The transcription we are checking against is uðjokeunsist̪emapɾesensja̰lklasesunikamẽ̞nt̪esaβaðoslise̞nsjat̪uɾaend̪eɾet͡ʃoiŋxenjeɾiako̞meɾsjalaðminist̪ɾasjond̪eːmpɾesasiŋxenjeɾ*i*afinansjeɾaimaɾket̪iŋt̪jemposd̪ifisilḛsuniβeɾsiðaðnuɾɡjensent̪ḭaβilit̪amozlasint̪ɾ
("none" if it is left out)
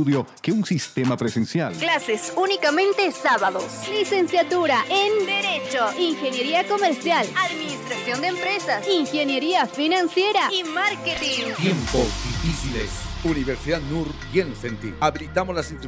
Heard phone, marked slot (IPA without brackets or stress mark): i